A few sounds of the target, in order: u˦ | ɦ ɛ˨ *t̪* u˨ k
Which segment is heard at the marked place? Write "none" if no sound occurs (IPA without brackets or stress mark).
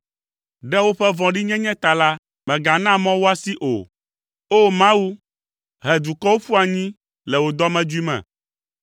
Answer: d̪